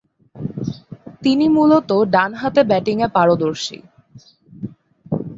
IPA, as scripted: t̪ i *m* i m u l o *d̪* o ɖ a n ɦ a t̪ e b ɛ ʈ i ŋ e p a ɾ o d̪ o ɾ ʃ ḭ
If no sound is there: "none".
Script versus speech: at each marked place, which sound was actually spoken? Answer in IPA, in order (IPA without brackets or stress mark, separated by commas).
n, t̪